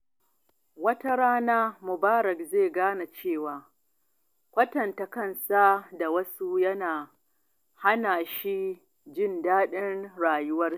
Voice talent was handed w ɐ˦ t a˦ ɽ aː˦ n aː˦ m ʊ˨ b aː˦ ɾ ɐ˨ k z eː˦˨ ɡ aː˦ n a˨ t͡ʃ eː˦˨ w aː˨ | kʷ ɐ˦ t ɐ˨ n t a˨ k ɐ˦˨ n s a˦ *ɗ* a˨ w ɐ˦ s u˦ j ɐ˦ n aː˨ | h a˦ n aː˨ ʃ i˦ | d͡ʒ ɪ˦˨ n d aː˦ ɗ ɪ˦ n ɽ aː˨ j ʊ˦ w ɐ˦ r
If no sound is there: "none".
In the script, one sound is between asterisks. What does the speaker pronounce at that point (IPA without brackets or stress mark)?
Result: d